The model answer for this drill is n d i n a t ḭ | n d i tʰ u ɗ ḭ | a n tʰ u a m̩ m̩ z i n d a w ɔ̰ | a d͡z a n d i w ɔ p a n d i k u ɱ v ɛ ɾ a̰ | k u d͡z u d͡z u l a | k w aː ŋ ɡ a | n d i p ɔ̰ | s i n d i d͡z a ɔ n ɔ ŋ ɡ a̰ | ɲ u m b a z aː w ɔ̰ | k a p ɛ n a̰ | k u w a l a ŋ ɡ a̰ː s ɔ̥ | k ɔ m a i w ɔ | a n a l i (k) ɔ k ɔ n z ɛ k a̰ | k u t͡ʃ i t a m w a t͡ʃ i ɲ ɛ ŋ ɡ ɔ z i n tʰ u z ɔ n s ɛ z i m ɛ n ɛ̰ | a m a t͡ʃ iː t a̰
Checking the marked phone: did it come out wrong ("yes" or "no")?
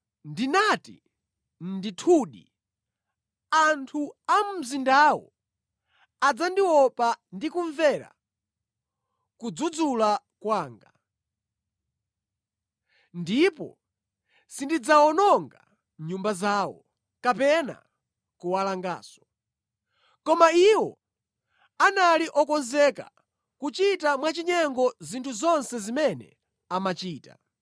yes